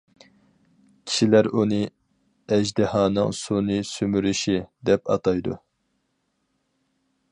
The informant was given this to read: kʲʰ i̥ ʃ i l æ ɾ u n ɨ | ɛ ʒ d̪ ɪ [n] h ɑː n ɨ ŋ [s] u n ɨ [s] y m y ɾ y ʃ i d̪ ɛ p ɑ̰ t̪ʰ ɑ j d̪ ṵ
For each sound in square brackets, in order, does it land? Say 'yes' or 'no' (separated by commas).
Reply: no, yes, yes